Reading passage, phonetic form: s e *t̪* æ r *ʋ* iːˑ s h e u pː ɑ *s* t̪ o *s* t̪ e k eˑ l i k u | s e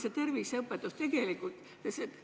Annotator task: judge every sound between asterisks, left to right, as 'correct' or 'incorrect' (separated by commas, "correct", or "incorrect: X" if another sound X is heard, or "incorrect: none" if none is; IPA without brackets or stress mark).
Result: correct, correct, incorrect: none, correct